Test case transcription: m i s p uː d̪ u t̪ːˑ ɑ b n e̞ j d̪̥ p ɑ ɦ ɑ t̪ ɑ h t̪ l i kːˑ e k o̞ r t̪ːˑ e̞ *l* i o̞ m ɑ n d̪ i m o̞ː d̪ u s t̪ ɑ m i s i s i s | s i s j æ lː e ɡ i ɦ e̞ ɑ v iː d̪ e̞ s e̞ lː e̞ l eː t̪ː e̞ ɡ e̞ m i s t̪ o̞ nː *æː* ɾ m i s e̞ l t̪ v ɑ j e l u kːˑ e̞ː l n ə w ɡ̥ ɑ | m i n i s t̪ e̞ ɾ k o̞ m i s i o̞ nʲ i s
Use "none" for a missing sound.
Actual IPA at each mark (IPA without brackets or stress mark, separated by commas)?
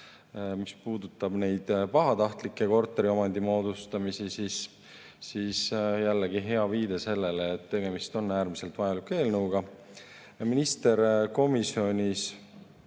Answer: ɾ, æː